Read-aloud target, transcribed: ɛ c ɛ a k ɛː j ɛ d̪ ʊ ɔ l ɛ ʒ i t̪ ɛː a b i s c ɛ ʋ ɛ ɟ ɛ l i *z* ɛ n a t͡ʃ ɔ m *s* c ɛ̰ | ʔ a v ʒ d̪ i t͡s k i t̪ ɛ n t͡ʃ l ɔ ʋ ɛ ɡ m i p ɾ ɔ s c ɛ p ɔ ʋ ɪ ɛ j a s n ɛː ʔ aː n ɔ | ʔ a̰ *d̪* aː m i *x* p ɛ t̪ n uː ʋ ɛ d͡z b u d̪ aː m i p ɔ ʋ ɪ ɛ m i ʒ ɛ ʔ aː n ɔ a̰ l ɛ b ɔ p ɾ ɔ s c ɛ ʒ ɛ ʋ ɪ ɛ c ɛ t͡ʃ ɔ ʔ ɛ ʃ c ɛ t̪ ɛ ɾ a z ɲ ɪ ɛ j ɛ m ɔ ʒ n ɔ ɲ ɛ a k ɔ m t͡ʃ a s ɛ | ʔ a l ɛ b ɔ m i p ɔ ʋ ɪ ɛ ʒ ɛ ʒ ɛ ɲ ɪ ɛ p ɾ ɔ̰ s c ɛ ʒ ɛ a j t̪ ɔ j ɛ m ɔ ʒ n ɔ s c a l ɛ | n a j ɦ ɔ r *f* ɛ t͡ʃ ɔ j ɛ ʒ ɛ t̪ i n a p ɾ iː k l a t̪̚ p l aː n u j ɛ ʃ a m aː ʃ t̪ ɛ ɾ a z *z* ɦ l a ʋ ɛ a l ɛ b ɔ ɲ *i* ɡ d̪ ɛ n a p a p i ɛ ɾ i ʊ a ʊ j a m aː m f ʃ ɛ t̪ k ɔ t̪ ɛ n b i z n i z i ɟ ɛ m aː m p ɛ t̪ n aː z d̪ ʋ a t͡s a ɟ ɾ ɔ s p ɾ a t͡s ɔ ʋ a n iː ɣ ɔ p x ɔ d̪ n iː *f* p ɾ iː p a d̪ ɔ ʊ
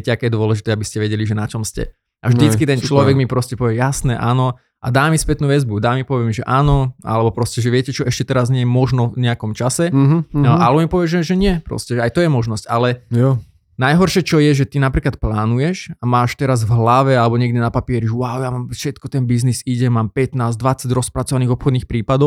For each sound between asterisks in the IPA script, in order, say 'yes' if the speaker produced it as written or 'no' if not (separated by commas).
no, yes, yes, no, no, no, no, no